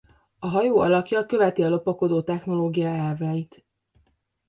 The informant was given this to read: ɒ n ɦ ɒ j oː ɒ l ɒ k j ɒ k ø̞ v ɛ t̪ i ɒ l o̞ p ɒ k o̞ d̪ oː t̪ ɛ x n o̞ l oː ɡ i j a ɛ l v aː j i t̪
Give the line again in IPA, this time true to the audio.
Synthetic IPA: ɒ ɦ ɒ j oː ɒ l ɒ k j ɒ k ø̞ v ɛ t̪ i ɒ l o̞ p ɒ k o̞ d̪ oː t̪ ɛ x n o̞ l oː ɡ i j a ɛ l v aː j i t̪